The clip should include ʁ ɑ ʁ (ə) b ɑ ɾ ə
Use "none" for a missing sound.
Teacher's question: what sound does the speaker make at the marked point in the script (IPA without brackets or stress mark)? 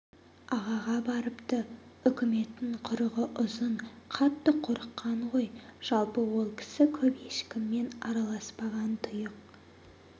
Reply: ɑ